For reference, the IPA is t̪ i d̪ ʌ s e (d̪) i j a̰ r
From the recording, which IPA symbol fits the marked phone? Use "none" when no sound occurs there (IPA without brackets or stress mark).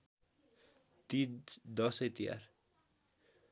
t̪